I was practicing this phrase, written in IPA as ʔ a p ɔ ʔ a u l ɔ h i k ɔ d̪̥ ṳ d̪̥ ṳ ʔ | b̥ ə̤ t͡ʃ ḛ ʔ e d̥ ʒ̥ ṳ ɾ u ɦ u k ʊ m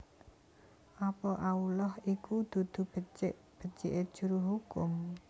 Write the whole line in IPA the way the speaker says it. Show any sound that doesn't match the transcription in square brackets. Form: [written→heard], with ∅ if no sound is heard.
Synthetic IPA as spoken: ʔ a p ɔ ʔ a u l ɔ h i k [ɔ→u] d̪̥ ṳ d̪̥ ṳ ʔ | b̥ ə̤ t͡ʃ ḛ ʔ e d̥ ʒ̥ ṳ ɾ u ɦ u k ʊ m